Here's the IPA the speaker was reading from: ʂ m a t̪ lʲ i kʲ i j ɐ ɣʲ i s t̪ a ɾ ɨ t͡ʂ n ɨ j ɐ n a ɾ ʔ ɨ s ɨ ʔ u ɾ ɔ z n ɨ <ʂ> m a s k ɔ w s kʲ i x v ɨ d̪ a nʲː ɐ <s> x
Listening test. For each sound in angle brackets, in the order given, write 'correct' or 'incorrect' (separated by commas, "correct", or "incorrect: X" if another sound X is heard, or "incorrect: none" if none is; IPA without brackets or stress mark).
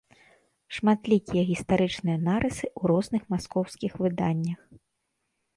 incorrect: x, incorrect: none